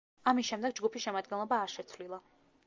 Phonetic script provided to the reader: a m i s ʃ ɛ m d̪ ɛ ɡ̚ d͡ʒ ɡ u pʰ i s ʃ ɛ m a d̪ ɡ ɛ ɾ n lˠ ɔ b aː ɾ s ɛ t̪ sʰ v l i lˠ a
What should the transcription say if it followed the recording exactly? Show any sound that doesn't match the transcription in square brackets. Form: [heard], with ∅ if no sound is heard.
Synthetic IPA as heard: a m i s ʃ ɛ m d̪ ɛ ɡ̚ d͡ʒ ɡ u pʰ i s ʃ ɛ m a d̪ ɡ ɛ [∅] n lˠ ɔ b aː ɾ [ʃ] ɛ t̪ sʰ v l i lˠ a